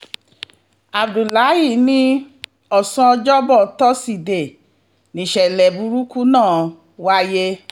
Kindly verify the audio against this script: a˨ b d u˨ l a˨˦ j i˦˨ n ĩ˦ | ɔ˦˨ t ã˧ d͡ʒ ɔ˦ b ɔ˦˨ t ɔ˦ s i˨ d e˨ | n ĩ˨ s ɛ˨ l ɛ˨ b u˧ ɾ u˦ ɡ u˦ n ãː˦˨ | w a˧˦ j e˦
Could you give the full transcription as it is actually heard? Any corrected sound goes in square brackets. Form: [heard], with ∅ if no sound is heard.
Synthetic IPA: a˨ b d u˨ l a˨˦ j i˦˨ n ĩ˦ | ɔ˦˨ [s] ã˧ d͡ʒ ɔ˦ b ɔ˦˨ t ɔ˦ s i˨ d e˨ | n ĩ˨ [ʃ] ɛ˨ l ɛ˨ b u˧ ɾ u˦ [k] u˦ n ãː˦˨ | w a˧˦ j e˦